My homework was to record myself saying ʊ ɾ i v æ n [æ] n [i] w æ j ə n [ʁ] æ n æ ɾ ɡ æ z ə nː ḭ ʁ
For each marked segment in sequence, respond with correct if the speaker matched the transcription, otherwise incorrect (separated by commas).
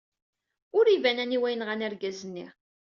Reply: correct, correct, correct